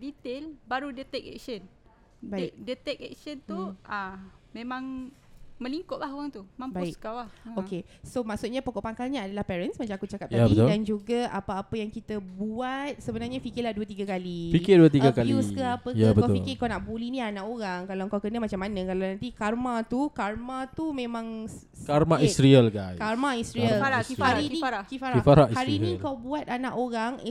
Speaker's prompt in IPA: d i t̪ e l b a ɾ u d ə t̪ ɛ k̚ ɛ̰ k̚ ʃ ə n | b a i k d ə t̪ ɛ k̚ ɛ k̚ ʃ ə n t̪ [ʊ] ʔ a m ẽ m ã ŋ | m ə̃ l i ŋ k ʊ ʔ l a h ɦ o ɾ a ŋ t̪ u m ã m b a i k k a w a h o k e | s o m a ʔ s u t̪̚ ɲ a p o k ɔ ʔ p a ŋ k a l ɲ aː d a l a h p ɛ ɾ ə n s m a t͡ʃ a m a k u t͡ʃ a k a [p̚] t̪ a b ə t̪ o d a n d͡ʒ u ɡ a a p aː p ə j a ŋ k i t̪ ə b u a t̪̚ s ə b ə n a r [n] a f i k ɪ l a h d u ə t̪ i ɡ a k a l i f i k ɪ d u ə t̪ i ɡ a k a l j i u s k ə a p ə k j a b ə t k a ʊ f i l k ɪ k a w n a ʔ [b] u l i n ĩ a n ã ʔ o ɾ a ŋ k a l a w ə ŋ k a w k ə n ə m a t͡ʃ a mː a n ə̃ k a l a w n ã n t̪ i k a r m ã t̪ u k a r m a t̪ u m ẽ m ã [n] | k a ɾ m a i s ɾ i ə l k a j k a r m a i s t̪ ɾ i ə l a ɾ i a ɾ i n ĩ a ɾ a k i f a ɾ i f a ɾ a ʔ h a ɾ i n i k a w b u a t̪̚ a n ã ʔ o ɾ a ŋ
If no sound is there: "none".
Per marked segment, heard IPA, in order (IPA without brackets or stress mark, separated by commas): u, p̚, ɲ, b, ŋ